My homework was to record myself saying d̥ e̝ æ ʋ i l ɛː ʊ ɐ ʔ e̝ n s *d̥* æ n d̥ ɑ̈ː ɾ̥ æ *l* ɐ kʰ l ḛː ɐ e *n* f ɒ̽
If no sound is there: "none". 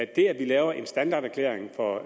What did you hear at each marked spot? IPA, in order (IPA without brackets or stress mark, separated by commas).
d̥, none, ŋ